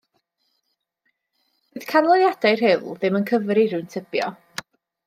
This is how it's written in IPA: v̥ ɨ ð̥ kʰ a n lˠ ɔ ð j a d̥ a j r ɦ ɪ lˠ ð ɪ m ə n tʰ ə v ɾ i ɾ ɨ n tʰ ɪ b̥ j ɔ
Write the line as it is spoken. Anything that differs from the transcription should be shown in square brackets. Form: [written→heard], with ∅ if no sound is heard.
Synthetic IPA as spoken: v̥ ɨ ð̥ kʰ a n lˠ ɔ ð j a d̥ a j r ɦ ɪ lˠ ð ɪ m ə n [tʰ→kʰ] ə v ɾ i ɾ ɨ n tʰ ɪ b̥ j ɔ